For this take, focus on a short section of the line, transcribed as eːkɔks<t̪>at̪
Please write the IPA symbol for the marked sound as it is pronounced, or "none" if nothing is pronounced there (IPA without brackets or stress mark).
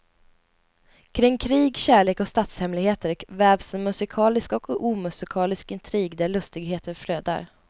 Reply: t̪